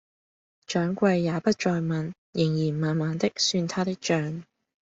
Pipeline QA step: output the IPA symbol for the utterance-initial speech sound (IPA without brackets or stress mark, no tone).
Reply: t͡ʃ